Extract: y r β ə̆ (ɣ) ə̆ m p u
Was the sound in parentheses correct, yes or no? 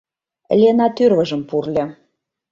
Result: no